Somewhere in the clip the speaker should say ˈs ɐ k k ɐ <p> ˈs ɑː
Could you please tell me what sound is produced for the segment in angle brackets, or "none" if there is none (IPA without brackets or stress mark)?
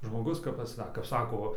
p